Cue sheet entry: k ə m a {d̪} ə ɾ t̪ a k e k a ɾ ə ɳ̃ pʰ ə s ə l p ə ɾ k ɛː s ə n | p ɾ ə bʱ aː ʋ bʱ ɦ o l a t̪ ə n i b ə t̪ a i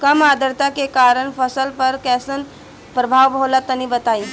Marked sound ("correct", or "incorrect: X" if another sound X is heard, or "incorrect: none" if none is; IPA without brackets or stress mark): correct